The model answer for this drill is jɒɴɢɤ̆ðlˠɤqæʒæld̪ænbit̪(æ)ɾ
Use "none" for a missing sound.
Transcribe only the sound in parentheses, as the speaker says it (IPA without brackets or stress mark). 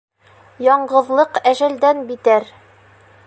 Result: æ